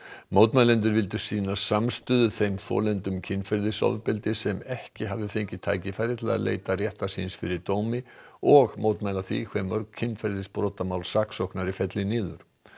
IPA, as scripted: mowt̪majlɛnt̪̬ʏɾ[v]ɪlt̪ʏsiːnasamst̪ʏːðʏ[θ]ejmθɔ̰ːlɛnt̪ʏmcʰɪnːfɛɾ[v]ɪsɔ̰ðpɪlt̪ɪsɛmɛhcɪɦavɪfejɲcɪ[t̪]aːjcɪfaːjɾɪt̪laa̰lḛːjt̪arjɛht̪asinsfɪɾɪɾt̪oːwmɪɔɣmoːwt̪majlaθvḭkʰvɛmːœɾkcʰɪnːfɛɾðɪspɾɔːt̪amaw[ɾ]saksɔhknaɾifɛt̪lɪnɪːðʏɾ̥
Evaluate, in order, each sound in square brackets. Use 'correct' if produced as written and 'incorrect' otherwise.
correct, correct, incorrect, incorrect, incorrect

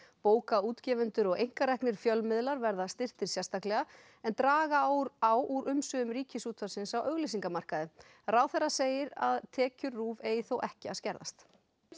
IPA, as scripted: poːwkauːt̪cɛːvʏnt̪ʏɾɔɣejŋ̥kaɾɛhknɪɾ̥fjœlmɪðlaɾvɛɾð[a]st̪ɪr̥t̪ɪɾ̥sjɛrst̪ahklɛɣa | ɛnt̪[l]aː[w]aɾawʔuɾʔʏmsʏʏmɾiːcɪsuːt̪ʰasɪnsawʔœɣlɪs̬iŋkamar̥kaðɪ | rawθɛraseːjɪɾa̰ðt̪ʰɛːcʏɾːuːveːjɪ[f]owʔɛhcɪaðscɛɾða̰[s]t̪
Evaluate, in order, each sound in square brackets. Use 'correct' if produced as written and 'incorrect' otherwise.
correct, incorrect, incorrect, incorrect, correct

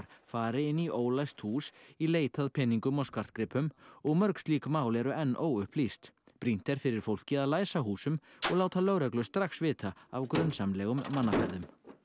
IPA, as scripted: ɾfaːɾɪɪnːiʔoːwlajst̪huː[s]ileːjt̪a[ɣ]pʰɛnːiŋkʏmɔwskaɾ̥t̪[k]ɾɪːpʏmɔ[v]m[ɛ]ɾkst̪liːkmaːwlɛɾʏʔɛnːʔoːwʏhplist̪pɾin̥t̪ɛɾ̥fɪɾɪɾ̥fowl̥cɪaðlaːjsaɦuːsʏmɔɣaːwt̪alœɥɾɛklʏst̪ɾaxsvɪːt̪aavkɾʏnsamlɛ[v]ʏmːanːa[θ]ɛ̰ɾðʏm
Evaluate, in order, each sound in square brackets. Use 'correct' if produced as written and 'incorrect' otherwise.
correct, incorrect, correct, incorrect, incorrect, incorrect, incorrect

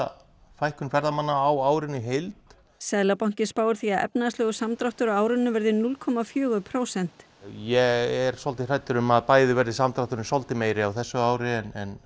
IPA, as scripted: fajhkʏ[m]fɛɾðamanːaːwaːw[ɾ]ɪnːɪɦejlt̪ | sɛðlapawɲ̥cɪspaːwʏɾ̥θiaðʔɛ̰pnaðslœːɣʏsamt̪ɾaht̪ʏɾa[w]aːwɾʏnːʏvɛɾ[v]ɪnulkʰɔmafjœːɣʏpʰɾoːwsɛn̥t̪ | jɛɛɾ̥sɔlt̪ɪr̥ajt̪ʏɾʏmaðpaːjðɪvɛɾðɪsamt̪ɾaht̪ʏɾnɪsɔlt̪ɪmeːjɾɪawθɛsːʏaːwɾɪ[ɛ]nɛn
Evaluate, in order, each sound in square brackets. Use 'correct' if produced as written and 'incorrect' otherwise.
incorrect, correct, correct, incorrect, correct

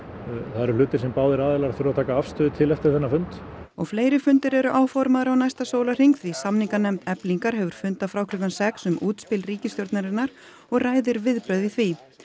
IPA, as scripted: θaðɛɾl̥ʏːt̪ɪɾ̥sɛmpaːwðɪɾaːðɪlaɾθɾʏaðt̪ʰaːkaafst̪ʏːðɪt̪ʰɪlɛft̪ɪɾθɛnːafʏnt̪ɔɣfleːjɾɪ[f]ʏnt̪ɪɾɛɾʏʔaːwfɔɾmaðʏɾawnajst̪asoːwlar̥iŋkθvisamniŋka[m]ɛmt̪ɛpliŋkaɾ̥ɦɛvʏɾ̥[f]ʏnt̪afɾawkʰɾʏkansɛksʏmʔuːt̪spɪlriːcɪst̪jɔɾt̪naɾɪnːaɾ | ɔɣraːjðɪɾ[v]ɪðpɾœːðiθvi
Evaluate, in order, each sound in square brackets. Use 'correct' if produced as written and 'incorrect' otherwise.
correct, incorrect, correct, correct

